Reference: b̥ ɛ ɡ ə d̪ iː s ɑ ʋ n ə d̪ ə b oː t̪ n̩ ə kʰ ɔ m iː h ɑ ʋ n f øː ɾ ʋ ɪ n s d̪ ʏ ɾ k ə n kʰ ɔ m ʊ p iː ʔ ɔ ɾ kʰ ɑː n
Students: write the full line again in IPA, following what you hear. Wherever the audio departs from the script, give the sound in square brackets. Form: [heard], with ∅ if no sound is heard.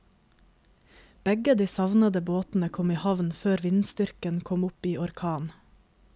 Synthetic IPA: b̥ ɛ ɡ ə d̪ iː s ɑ ʋ n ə d̪ ə b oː t̪ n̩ ə kʰ ɔ m iː h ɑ ʋ n f øː ɾ ʋ ɪ n s [t̪] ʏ ɾ k ə n kʰ ɔ m ʊ p iː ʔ ɔ ɾ kʰ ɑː n